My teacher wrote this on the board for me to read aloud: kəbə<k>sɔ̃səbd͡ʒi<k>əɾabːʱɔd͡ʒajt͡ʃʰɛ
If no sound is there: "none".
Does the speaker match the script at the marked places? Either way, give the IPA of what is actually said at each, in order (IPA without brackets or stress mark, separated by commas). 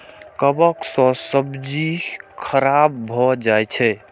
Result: k, kʰ